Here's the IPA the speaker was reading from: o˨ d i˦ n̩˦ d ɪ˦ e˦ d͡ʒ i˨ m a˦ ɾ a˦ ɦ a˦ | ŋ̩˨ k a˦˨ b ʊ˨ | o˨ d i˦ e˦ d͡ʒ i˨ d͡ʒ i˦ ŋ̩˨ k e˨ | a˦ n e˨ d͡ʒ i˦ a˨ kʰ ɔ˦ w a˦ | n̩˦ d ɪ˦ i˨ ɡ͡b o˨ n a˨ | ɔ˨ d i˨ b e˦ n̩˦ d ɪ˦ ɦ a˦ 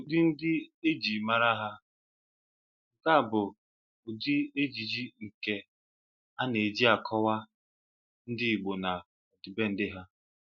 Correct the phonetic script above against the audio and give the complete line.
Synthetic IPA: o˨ d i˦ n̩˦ d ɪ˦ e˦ d͡ʒ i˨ m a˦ ɾ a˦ ɦ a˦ | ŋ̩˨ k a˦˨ b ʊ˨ | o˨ d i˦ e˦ d͡ʒ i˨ d͡ʒ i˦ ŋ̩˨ k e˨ | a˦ n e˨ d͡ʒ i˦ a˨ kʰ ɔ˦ w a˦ | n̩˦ d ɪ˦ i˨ ɡ͡b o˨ n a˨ | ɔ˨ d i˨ b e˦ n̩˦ d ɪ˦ ɦ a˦

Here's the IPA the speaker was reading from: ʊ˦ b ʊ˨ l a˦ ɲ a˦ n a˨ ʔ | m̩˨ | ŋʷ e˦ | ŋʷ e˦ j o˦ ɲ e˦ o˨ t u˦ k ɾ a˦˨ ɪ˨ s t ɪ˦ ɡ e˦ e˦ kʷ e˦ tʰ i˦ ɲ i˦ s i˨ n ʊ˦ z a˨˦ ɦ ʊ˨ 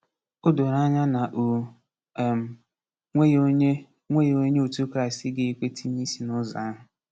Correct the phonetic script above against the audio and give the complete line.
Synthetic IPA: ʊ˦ d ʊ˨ ɾ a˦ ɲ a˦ n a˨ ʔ | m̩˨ | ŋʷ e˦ | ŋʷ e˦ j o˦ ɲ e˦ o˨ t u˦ k ɾ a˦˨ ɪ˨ s t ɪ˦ ɡ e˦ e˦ kʷ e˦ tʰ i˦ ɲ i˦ s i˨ n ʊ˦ z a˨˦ ɦ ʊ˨

